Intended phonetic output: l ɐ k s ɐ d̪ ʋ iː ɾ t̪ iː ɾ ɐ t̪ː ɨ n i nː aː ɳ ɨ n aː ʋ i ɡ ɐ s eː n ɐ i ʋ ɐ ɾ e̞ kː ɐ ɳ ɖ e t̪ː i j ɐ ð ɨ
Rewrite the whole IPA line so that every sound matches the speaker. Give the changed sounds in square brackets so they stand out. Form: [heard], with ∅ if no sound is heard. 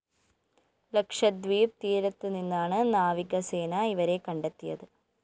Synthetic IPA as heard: l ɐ k [ʂ] ɐ d̪ ʋ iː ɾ t̪ iː ɾ ɐ t̪ː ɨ n i nː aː ɳ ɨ n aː ʋ i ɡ ɐ s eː n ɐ i ʋ ɐ ɾ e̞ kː ɐ ɳ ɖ e t̪ː i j ɐ ð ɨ